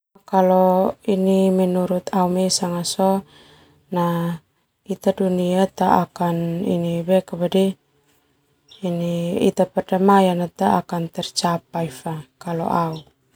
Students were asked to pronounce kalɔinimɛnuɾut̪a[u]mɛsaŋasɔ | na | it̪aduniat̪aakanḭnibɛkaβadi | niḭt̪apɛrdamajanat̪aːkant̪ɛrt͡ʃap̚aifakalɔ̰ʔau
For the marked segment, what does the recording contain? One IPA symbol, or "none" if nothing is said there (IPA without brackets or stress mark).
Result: u